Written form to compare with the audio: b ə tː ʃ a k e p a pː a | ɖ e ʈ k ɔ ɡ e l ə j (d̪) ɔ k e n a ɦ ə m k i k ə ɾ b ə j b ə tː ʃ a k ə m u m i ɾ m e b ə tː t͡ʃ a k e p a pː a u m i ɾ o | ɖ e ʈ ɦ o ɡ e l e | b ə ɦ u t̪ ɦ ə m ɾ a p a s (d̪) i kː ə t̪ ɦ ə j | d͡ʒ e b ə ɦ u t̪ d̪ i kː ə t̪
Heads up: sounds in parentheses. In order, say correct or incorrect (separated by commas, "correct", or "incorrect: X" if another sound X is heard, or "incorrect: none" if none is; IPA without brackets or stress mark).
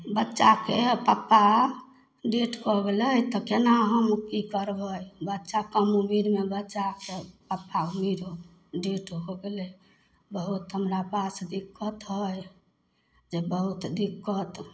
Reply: incorrect: t̪, correct